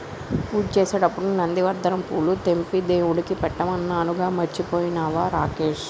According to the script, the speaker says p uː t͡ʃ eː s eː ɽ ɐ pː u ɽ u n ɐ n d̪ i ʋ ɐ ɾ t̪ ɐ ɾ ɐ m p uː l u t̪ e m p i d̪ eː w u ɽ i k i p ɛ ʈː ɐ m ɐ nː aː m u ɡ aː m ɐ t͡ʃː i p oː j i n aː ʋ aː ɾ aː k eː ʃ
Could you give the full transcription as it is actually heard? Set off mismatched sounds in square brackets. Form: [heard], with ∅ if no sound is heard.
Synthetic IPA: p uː t͡ʃ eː s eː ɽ ɐ pː u ɽ u n ɐ n d̪ i ʋ ɐ ɾ [d̪] ɐ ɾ ɐ m p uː l u t̪ e m p i d̪ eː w u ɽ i k i p ɛ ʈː ɐ m ɐ nː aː [n] u ɡ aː m ɐ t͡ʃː i p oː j i n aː ʋ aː ɾ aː k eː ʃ